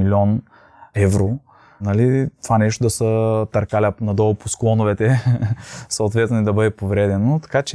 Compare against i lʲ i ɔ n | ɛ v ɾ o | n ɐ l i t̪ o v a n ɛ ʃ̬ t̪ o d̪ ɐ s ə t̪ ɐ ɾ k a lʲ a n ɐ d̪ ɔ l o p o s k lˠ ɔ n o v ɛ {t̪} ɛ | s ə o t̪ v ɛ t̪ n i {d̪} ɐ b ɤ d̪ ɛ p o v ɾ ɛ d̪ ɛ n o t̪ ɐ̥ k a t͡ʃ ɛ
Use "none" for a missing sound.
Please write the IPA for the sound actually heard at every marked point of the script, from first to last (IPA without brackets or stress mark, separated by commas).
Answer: t̪, d̪